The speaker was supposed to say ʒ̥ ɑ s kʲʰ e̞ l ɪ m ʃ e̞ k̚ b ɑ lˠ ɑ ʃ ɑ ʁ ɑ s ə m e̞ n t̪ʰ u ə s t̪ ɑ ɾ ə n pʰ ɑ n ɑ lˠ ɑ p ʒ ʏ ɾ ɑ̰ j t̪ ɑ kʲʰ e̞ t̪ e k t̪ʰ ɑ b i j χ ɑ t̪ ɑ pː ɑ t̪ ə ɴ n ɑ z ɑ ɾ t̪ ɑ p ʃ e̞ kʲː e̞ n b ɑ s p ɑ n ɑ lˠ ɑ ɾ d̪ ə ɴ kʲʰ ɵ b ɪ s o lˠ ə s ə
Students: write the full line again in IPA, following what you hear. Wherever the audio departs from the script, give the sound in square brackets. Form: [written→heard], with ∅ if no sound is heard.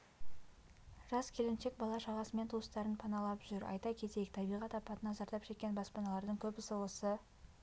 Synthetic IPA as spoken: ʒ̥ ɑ s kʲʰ e̞ l ɪ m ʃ e̞ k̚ b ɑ lˠ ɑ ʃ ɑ ʁ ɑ s ə m e̞ n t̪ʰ u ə s t̪ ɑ ɾ ə n pʰ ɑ n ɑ lˠ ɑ p ʒ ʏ ɾ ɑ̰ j t̪ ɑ kʲʰ e̞ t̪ e k t̪ʰ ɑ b i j [χ→ʁ] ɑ t̪ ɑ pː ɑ t̪ ə [ɴ→∅] n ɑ z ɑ ɾ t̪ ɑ p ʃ e̞ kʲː e̞ n b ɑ s p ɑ n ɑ lˠ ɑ ɾ d̪ ə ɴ kʲʰ ɵ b ɪ s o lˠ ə s ə